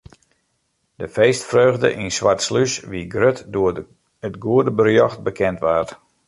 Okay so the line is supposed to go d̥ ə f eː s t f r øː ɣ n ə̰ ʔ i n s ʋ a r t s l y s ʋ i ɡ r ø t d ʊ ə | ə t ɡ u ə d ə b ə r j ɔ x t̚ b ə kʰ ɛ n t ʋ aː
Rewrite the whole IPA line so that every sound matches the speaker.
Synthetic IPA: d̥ ə f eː s t f r øː ɣ d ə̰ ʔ i n s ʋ a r t s l y s ʋ i ɡ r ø t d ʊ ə | ə t ɡ u ə d ə b ə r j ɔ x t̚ b ə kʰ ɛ n t ʋ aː